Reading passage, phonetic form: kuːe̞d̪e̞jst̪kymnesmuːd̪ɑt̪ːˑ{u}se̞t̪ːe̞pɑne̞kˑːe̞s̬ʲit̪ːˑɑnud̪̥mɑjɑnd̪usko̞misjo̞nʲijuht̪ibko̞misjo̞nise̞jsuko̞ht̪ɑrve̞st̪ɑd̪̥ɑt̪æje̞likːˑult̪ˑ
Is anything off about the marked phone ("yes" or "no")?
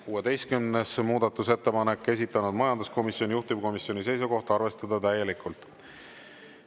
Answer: no